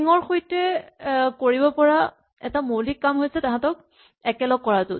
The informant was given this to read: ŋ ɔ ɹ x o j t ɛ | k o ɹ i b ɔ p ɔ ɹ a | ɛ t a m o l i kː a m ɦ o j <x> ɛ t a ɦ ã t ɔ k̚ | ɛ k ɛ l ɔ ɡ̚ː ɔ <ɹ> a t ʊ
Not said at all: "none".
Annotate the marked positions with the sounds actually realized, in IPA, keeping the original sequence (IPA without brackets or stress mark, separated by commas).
s, ɹ